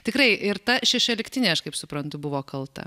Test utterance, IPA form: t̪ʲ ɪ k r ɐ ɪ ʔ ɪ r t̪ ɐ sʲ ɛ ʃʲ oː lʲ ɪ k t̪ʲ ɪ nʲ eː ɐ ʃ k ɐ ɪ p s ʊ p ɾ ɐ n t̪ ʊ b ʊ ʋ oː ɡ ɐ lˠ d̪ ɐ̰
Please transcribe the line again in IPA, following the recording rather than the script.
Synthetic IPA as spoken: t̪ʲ ɪ k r ɐ ɪ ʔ ɪ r t̪ ɐ ʃʲ ɛ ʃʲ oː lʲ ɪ k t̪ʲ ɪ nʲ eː ɐ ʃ k ɐ ɪ p s ʊ p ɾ ɐ n t̪ ʊ b ʊ ʋ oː k ɐ lˠ t̪ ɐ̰